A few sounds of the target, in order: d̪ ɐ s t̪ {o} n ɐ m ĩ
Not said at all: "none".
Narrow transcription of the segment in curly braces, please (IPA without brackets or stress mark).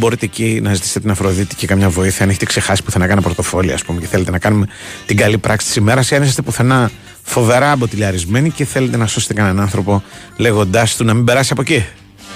u